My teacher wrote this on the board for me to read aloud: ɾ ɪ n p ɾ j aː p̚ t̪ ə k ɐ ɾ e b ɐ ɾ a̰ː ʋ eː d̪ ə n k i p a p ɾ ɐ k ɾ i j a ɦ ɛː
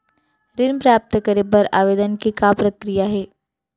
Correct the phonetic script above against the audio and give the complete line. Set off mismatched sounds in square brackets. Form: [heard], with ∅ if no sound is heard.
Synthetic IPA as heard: ɾ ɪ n p ɾ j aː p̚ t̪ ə k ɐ ɾ e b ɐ ɾ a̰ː ʋ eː d̪ ə n k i [k] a p ɾ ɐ k ɾ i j a ɦ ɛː